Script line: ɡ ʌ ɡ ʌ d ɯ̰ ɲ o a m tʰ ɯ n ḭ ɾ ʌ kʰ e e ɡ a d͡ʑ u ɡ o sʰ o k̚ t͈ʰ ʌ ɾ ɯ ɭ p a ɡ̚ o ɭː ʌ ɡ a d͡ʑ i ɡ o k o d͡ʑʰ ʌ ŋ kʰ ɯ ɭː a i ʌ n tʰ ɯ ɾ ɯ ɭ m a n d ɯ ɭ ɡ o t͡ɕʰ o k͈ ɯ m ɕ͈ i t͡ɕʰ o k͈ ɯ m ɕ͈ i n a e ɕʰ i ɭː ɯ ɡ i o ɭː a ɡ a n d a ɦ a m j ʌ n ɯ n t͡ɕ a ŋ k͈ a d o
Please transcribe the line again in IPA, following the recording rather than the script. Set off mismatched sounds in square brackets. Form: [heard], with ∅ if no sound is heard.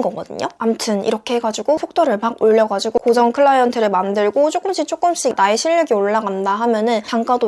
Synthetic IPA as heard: ɡ ʌ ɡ ʌ d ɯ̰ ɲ o a m tʰ ɯ n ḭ ɾ ʌ kʰ e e ɡ a d͡ʑ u ɡ o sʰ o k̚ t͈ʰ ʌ ɾ ɯ ɭ p a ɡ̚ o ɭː ʌ ɡ a d͡ʑ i ɡ o k o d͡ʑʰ ʌ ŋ kʰ ɯ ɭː a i ʌ n tʰ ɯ ɾ ɯ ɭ m a n d ɯ ɭ ɡ o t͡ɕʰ o k͈ ɯ m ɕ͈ i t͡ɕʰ o k͈ ɯ m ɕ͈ i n a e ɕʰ i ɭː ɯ ɡ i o ɭː a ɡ a n d a ɦ a m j ʌ n ɯ n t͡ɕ a ŋ k͈ a d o